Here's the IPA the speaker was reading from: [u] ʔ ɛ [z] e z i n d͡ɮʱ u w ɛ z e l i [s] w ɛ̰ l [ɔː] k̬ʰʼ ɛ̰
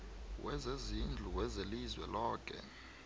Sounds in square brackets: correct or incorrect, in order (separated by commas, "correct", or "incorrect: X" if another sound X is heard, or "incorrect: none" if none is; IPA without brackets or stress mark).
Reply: incorrect: w, correct, incorrect: z, correct